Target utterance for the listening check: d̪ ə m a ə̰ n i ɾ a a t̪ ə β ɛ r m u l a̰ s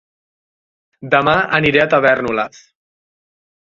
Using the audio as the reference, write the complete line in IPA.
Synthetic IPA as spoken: d̪ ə m a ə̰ n i ɾ e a t̪ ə β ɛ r n u l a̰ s